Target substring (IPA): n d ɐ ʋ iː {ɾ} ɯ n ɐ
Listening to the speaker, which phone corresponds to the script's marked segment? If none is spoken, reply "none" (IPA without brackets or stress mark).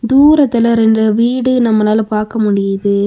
ɽ